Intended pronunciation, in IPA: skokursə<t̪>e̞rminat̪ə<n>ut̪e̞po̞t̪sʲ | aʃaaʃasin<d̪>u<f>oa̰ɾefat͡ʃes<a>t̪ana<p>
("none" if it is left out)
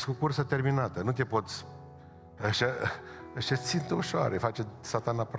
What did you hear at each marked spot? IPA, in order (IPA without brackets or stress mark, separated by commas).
t̪, n, t̪, ʃ, a, p